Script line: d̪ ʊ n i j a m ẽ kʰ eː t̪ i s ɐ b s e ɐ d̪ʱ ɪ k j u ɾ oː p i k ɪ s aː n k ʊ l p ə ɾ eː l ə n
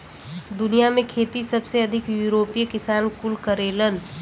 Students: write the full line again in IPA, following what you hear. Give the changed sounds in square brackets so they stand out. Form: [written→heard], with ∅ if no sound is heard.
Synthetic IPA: d̪ ʊ n i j a m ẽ kʰ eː t̪ i s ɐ b s e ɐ d̪ʱ ɪ k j u ɾ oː p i k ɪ s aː n k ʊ l [p→k] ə ɾ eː l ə n